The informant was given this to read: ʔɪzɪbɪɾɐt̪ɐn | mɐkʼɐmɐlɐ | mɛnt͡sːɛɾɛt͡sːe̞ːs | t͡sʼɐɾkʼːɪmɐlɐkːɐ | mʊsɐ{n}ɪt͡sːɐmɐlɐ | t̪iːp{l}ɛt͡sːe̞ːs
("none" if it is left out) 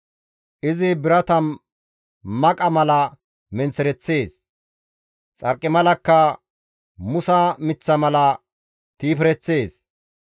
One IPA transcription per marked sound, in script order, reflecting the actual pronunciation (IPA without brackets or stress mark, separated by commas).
m, ɾ